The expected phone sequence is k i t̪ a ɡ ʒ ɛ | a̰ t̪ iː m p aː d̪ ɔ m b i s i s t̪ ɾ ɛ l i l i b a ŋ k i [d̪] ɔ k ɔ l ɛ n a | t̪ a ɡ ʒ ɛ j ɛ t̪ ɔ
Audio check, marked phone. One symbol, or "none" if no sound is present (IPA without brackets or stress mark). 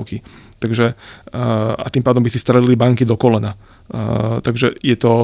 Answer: d̪